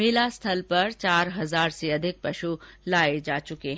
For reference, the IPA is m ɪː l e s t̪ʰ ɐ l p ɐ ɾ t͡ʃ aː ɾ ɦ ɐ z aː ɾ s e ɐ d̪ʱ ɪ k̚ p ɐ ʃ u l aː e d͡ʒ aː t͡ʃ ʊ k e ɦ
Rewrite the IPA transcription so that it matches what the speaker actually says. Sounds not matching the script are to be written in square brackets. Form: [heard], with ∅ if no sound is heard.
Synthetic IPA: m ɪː l [a] s t̪ʰ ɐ l p ɐ ɾ t͡ʃ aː ɾ ɦ ɐ z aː ɾ s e ɐ d̪ʱ ɪ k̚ p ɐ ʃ u l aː e d͡ʒ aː t͡ʃ ʊ k e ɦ